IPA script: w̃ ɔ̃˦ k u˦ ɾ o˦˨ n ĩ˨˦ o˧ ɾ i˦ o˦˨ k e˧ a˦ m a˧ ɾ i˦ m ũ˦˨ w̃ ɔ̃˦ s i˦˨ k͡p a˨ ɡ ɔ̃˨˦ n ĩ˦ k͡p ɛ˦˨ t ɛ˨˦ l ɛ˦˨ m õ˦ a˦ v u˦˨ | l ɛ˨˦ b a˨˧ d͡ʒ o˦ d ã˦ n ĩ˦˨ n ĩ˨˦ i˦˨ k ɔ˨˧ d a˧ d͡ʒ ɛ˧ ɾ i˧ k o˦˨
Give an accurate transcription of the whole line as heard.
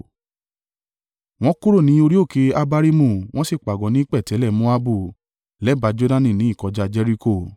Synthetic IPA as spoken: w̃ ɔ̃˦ k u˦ ɾ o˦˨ n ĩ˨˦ o˧ ɾ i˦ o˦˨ k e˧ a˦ b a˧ ɾ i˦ m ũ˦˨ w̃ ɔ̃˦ s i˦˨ k͡p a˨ ɡ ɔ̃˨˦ n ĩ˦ k͡p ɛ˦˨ t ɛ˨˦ l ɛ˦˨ m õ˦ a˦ b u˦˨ | l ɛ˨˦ b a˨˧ d͡ʒ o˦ d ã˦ n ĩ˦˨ n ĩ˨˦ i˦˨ k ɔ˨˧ d͡ʒ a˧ d͡ʒ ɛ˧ ɾ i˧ k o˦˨